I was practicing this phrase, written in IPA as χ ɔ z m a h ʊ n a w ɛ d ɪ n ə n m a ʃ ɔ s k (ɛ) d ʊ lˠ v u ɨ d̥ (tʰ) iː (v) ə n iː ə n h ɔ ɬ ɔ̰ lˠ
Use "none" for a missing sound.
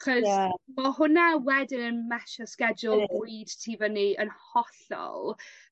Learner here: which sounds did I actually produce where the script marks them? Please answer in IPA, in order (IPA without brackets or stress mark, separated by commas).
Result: ɛ, tʰ, v